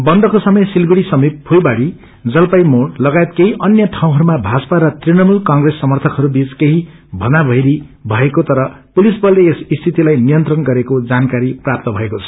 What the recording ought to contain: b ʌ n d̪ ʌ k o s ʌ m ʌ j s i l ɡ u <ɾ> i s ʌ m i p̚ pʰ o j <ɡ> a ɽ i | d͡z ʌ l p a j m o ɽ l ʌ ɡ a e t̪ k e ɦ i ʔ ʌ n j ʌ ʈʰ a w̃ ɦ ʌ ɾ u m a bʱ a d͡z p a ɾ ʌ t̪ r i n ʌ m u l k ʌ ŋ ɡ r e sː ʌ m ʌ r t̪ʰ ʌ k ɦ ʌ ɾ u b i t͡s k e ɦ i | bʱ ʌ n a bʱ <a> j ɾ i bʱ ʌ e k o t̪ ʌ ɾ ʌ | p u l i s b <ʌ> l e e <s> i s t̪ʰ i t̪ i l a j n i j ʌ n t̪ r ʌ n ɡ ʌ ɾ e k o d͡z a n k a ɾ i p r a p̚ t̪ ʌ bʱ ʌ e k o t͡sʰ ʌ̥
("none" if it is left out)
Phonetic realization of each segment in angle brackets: ɽ, b, ʌ, ʌ, s

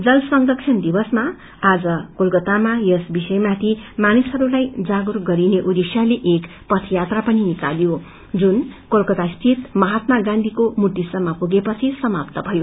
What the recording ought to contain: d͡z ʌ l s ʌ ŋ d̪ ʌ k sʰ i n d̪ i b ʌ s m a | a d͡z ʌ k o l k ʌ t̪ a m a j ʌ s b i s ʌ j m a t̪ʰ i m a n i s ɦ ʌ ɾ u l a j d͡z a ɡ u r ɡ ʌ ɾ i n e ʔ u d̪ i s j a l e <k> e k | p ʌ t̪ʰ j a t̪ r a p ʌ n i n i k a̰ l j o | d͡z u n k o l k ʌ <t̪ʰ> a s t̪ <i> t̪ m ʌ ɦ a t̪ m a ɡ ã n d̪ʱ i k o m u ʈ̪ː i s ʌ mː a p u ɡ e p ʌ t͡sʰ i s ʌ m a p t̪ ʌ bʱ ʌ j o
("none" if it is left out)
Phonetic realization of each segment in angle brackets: ʔ, t̪, i

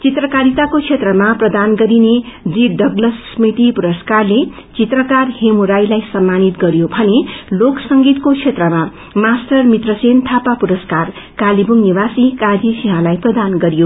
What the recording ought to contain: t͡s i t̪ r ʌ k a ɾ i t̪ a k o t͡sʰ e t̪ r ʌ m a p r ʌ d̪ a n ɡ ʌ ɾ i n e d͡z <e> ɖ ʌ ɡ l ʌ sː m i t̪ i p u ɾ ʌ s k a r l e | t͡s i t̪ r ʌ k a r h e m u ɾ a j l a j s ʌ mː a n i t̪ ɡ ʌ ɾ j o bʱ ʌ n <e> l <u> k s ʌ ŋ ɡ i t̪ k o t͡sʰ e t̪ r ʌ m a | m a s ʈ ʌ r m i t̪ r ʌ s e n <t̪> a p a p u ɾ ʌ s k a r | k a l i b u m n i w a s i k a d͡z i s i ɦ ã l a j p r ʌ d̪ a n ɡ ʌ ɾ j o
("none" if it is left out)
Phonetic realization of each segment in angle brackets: i, e, o, t̪ʰ

